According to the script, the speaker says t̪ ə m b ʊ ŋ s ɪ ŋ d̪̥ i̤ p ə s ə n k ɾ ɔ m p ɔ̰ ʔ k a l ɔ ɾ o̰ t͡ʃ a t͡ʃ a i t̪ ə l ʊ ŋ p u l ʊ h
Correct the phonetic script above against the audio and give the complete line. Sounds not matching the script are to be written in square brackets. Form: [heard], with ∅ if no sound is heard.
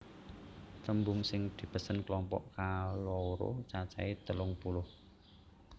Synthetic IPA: t̪ ə m b ʊ ŋ s ɪ ŋ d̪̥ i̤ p ə s ə n k [l] ɔ m p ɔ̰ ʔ k a l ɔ ɾ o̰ t͡ʃ a t͡ʃ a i t̪ ə l ʊ ŋ p u l ʊ h